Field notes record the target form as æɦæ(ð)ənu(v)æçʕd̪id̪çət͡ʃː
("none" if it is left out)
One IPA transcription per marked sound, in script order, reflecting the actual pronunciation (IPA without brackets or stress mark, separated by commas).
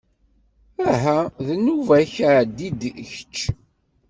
ð, v